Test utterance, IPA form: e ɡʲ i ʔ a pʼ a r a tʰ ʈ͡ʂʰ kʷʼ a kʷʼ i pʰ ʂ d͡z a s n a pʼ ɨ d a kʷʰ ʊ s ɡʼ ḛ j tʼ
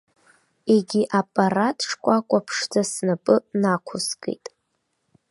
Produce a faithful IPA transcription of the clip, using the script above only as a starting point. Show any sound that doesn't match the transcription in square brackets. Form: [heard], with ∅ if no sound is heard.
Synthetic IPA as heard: e ɡʲ i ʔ a pʼ a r a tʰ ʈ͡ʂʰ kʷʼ a kʷʼ [a] pʰ ʂ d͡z a s n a pʼ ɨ [n] a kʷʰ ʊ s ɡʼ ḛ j tʼ